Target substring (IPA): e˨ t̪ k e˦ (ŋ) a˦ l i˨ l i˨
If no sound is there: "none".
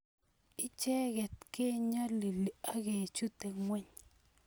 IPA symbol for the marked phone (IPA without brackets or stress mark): ɲ